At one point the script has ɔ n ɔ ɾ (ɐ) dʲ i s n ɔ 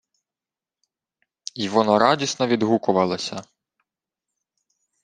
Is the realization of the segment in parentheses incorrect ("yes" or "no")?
yes